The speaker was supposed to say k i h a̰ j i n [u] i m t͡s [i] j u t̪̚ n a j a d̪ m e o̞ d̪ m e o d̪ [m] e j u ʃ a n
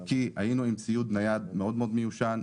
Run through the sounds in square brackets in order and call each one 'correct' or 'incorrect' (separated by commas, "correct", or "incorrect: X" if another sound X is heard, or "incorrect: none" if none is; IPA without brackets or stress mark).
correct, correct, correct